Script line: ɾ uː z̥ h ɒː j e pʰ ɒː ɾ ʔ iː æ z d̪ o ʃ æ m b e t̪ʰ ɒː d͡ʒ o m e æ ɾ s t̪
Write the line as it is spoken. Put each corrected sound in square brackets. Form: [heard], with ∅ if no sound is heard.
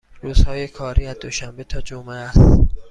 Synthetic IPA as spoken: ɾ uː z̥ h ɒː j e [kʰ] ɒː ɾ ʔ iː æ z d̪ o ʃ æ m b e t̪ʰ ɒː d͡ʒ o m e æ [∅] s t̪